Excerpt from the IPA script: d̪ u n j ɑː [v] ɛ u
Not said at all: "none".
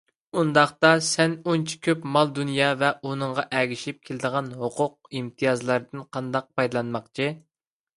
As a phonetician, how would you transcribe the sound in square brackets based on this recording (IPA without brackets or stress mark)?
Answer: v